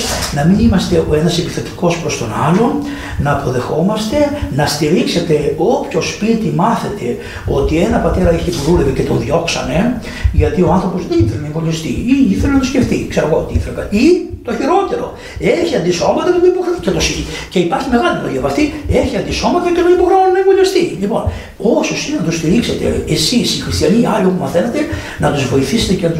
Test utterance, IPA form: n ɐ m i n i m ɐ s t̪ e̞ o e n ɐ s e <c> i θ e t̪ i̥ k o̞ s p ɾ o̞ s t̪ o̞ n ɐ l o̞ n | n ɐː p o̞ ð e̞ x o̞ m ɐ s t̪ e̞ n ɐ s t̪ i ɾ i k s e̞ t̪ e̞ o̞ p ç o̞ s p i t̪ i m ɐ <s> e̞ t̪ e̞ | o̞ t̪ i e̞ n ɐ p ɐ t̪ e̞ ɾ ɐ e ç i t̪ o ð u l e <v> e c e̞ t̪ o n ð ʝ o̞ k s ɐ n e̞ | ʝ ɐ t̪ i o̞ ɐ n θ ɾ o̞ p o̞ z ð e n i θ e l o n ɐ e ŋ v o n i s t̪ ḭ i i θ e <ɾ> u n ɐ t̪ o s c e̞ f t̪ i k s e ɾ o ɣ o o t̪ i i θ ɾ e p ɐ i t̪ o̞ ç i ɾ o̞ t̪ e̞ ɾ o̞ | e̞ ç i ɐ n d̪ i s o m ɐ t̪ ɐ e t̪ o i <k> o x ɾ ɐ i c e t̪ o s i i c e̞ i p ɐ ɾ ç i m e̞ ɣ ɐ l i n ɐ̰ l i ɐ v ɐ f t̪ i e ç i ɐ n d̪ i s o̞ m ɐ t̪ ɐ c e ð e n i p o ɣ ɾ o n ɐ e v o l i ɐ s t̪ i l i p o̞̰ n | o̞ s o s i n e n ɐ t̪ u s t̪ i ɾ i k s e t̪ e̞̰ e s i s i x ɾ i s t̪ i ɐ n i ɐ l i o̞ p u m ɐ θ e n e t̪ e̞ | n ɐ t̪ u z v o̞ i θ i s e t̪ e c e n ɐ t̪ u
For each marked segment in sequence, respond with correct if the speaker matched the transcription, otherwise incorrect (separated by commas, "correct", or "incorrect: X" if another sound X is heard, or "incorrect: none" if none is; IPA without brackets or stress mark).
incorrect: p, incorrect: θ, correct, incorrect: l, incorrect: p